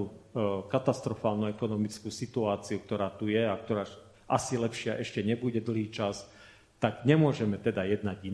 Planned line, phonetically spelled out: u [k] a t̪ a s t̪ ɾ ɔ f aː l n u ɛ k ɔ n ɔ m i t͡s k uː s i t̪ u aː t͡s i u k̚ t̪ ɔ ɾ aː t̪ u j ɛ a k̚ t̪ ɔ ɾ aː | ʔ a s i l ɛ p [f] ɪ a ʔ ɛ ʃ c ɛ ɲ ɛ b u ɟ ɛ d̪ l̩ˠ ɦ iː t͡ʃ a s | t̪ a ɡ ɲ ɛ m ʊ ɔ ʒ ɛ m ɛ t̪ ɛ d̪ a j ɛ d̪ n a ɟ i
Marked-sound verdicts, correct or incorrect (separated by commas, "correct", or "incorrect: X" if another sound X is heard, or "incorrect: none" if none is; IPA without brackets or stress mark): correct, incorrect: ʃ